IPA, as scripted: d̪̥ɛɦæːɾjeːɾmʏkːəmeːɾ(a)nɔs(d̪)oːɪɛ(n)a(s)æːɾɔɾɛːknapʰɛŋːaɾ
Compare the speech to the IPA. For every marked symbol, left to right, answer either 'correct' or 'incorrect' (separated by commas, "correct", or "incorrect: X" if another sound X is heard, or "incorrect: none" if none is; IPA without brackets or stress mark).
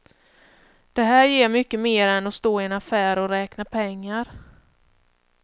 incorrect: ɛ, incorrect: t̪, correct, incorrect: f